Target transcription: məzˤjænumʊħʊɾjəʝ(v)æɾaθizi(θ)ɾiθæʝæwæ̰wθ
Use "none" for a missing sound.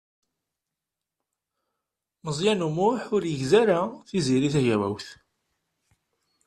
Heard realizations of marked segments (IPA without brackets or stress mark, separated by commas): z, none